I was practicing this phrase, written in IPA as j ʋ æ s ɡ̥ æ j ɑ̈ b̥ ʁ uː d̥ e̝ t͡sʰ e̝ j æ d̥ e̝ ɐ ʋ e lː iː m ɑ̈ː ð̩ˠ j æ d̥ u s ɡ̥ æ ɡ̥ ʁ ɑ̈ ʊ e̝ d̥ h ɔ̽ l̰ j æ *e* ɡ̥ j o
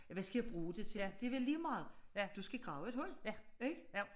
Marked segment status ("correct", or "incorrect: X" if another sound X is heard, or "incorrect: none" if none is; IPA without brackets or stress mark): correct